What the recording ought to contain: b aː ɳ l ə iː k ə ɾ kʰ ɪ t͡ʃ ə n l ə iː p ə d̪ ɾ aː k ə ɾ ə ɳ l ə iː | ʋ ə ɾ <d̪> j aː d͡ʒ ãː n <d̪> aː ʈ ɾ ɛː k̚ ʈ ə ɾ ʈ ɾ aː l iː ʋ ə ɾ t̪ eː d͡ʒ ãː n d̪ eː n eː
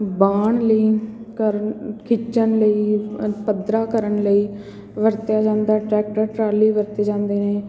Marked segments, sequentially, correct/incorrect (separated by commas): incorrect, correct